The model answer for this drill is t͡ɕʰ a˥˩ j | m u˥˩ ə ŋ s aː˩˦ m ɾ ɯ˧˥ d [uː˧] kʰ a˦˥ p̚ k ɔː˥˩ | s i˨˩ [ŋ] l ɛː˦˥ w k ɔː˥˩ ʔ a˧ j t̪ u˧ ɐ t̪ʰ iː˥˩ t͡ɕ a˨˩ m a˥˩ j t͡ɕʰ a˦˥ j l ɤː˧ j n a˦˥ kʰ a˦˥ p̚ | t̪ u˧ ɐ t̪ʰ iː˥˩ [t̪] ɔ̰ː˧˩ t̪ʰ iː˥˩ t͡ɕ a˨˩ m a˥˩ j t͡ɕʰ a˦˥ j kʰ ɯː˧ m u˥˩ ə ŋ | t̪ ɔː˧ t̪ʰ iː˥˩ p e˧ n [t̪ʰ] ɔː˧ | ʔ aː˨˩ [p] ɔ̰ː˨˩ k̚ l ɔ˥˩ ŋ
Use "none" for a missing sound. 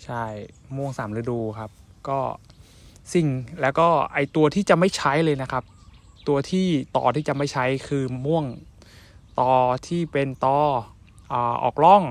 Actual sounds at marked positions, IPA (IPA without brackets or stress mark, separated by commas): uː˧, ŋ, t̪, t̪, ʔ